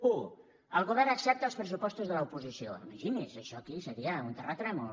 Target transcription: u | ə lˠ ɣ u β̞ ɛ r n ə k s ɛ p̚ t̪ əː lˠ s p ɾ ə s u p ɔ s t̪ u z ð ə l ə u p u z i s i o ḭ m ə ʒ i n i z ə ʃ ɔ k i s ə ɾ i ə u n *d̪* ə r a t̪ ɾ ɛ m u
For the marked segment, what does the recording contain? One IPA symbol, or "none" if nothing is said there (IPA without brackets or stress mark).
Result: t̪